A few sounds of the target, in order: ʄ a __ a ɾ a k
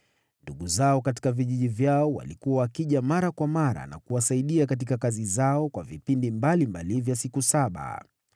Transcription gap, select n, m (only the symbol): m